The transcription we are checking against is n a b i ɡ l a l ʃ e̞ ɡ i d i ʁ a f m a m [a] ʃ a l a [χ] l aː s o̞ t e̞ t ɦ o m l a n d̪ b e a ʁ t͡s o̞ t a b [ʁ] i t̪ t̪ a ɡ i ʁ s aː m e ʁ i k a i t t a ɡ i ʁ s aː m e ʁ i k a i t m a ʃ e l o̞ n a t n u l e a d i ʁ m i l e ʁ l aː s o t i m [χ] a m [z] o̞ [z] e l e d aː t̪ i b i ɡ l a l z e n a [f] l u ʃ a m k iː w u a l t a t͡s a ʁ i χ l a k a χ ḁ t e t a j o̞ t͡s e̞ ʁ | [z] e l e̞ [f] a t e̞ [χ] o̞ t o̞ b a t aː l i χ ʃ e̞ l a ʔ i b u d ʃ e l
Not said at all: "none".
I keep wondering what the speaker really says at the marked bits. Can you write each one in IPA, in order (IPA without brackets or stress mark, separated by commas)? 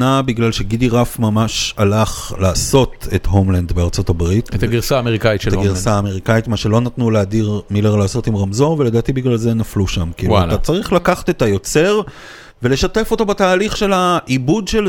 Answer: a, χ, ʁ, ʁ, z, v, f, v, ʃ, f